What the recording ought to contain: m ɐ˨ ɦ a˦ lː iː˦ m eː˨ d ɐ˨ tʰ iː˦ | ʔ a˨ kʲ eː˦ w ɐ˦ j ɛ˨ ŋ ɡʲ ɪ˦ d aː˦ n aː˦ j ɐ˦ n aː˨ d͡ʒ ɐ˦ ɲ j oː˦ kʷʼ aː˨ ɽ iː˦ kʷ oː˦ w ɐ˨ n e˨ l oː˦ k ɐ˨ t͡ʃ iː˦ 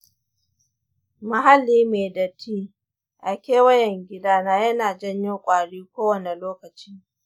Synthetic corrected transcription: m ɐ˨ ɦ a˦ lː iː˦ m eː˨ d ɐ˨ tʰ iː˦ | ʔ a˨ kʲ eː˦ w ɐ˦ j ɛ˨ ŋ ɡʲ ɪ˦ d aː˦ n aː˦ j ɐ˦ n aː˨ d͡ʒ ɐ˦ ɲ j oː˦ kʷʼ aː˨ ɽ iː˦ kʷ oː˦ w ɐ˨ n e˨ l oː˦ k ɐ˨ t͡ʃ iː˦